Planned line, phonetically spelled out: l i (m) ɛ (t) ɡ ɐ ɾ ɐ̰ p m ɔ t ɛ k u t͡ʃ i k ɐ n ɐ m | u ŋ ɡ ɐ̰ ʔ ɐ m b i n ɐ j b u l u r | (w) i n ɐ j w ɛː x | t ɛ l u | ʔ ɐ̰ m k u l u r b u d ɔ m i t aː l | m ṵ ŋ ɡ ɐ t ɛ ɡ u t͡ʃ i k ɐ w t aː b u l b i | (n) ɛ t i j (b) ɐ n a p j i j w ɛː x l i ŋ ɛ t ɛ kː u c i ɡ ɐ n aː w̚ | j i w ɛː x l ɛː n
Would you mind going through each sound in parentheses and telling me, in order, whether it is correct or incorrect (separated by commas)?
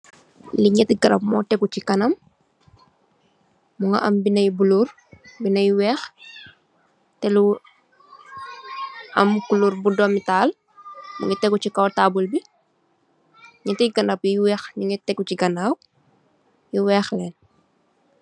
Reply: incorrect, correct, incorrect, incorrect, incorrect